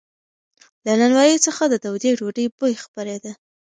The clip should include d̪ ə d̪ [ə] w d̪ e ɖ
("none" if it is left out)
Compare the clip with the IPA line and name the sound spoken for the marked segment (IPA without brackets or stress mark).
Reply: a